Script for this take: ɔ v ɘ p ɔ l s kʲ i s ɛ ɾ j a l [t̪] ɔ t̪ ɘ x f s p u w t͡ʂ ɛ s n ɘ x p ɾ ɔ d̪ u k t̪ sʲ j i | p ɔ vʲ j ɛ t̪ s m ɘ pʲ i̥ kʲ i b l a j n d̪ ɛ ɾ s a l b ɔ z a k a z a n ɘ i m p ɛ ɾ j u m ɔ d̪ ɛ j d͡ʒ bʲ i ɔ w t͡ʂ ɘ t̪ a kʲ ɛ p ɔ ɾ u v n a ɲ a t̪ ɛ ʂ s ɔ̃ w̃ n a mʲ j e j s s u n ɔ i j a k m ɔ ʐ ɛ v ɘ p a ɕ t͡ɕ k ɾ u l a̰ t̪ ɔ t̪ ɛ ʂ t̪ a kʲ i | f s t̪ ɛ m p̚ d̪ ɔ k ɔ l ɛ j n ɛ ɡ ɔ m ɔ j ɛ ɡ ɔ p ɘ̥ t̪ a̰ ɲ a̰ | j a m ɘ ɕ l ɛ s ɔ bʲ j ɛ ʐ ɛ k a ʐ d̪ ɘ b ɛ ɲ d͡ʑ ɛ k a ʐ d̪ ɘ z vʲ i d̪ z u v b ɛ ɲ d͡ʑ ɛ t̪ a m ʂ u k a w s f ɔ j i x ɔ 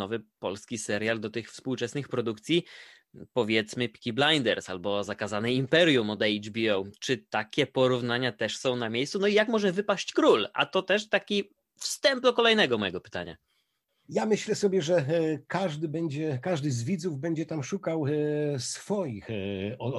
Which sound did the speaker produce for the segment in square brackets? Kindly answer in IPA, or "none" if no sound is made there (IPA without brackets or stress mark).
d̪